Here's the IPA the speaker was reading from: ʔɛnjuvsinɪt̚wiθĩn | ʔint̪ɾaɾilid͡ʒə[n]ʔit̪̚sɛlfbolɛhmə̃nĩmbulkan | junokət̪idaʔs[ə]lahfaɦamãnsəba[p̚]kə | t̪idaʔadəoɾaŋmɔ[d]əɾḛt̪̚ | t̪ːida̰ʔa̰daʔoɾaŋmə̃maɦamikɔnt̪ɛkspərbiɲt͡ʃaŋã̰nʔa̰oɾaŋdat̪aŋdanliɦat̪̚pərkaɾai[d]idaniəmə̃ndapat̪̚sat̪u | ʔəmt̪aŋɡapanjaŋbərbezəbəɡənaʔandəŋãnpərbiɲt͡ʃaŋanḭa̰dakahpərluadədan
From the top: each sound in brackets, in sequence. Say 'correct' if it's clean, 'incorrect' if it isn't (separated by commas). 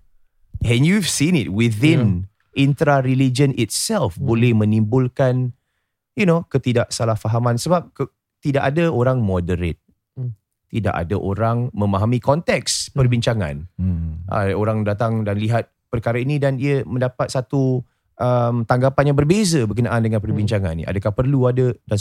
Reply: correct, incorrect, correct, correct, incorrect